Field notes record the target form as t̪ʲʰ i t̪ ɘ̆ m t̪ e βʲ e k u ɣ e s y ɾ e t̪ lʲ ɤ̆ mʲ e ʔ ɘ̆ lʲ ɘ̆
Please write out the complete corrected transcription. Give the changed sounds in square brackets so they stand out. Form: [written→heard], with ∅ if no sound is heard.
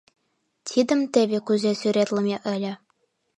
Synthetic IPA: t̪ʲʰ i [t̪→d̪] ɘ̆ m t̪ e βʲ e k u [ɣ→z] e s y ɾ e t̪ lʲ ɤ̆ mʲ e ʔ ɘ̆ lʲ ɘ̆

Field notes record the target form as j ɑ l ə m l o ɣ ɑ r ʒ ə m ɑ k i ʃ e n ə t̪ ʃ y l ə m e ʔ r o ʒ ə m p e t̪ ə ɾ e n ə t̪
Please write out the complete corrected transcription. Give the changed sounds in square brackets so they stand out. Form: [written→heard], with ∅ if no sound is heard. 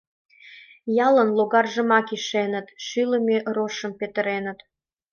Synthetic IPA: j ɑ l ə [m→n] l o ɣ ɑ r ʒ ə m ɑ k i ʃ e n ə t̪ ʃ y l ə m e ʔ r o [ʒ→ʃ] ə m p e t̪ ə ɾ e n ə t̪

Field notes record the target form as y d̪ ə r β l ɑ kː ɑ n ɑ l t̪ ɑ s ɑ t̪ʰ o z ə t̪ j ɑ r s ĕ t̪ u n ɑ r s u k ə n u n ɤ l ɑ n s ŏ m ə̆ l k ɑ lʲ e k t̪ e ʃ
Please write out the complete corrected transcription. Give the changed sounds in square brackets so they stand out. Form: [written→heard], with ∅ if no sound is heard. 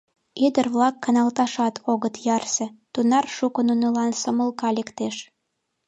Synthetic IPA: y d̪ ə r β l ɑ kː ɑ n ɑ l t̪ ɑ [s→ʃ] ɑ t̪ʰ o [z→ɣ] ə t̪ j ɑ r s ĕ t̪ u n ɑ r [s→ʃ] u k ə n u n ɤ l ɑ n s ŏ m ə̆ l k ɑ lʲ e k t̪ e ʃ

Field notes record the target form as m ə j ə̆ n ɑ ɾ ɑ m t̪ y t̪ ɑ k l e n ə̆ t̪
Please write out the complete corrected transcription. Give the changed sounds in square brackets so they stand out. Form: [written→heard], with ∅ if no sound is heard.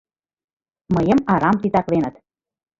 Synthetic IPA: m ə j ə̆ [n→m] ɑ ɾ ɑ m t̪ [y→i] t̪ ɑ k l e n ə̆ t̪

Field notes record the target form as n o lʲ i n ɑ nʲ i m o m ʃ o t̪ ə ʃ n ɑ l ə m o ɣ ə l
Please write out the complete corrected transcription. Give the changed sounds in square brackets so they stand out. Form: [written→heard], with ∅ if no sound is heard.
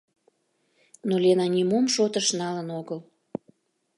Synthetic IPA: n o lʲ [i→e] n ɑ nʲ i m o m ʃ o t̪ ə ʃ n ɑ l ə [m→n] o ɣ ə l

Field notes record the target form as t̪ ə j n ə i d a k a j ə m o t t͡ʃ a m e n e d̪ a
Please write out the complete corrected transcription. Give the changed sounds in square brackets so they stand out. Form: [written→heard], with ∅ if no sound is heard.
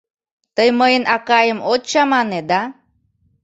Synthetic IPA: t̪ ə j [n→m] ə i [d→n] a k a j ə m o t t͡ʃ a m [e→a] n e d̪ a

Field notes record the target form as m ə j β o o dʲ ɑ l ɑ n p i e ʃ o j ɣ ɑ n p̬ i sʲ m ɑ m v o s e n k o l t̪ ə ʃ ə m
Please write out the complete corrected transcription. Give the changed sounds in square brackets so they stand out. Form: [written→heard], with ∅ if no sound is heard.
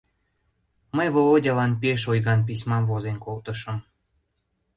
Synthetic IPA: m ə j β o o dʲ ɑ l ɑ n p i e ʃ o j ɣ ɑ n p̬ i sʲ m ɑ m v o [s→z] e n k o l t̪ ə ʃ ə m

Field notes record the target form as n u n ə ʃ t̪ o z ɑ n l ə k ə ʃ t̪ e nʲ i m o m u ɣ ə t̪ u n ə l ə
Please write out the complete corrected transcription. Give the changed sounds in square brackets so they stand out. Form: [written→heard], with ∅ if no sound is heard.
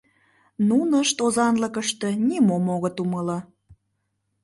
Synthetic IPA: n u n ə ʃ t̪ o z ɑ n l ə k ə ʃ t̪ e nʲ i m o m [u→o] ɣ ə t̪ u [n→m] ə l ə

